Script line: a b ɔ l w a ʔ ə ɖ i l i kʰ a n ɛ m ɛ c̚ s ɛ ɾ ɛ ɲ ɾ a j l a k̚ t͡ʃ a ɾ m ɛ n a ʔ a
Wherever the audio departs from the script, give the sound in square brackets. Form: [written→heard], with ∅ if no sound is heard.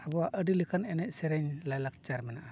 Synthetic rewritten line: a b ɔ [l→∅] w a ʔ ə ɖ i l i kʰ a n ɛ [m→n] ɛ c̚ s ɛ ɾ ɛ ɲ [ɾ→l] a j l a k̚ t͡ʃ a ɾ m ɛ n a ʔ a